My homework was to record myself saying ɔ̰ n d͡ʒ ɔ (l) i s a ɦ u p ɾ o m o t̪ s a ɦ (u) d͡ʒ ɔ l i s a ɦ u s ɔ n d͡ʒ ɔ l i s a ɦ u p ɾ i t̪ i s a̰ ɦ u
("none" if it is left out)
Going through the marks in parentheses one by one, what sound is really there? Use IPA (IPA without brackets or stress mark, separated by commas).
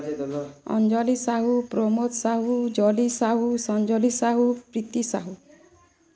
l, u